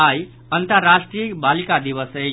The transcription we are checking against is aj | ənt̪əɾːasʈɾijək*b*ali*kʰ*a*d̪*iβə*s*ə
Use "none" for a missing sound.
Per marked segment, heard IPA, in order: b, k, d̪, s

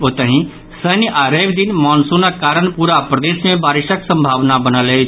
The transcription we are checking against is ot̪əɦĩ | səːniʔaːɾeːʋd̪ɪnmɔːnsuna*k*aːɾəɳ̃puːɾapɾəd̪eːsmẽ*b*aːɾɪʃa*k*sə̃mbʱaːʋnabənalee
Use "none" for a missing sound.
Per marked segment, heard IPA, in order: k, b, k

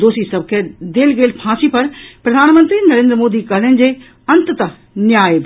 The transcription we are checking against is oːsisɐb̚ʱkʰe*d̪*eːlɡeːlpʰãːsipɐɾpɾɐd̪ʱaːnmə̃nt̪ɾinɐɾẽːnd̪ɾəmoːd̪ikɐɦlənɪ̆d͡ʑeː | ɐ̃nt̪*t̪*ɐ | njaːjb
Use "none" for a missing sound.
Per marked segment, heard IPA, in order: d̪, t̪

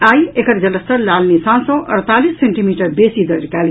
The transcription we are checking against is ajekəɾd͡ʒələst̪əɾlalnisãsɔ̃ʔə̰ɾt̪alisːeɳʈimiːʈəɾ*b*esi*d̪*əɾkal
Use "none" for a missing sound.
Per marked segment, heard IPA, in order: b, d̪

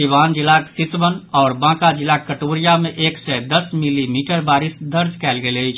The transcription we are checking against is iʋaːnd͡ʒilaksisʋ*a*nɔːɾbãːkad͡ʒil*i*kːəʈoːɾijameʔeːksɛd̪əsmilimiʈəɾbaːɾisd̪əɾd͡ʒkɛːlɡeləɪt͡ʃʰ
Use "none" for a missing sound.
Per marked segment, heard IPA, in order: ə, a

